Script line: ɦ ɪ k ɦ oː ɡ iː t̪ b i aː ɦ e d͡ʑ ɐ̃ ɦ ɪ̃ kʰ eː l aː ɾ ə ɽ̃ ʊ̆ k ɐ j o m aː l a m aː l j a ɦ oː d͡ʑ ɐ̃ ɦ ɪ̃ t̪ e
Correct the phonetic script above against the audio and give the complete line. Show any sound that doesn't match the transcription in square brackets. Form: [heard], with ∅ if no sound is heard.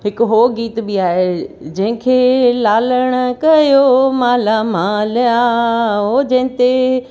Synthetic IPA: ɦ ɪ k ɦ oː ɡ iː t̪ b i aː ɦ e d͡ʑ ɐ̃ ɦ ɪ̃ kʰ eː l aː [l] ə ɽ̃ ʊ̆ k ɐ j o m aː l a m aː l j a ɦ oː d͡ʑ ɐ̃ ɦ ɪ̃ t̪ e

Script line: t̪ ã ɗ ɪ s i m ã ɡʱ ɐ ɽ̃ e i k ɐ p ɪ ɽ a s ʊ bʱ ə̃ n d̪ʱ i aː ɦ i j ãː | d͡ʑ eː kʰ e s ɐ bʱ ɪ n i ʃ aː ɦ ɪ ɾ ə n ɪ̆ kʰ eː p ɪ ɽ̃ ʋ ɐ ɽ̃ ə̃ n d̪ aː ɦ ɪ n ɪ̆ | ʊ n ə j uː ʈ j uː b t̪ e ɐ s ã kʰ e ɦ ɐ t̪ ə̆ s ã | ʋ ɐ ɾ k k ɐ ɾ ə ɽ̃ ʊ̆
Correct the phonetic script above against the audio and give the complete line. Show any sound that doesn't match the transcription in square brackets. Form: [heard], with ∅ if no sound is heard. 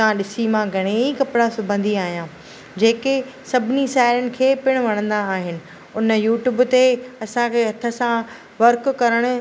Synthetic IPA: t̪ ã ɗ ɪ s i m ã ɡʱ ɐ ɽ̃ e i k ɐ p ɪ ɽ a s ʊ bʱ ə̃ n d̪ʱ i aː ɦ i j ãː | d͡ʑ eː [k] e s ɐ bʱ ɪ n i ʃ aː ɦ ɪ ɾ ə n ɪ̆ kʰ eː p ɪ ɽ̃ ʋ ɐ ɽ̃ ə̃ n d̪ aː ɦ ɪ n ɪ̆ | ʊ n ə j uː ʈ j uː b t̪ e ɐ s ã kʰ e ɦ ɐ [t̪ʰ] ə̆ s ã | ʋ ɐ ɾ k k ɐ ɾ ə ɽ̃ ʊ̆

